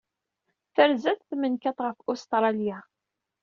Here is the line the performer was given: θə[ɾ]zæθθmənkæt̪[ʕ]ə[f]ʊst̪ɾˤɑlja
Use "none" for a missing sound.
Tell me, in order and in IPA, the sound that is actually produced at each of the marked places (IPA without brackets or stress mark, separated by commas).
ɾ, ʁ, f